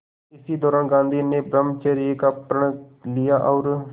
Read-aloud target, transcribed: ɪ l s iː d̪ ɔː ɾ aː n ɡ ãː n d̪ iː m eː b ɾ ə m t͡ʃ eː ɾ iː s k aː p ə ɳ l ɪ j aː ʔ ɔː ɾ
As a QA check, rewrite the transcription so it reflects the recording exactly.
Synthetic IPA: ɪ s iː d̪ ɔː ɾ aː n ɡ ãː n d̪ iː n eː b ɾ ə m t͡ʃ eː ɾ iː k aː p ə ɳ l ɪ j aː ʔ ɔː ɾ